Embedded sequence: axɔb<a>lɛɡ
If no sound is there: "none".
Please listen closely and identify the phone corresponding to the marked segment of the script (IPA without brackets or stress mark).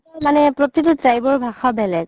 ɛ